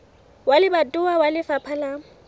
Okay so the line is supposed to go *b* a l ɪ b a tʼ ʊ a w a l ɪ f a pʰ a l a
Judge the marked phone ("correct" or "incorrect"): incorrect